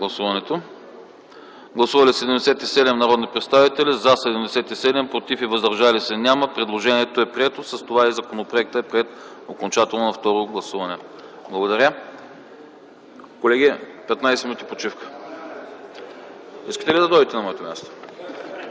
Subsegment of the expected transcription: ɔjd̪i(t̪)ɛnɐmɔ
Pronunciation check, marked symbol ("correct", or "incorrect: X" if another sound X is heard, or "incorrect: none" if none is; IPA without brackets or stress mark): correct